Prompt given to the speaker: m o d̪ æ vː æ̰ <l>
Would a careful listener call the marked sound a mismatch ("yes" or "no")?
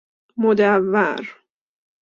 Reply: yes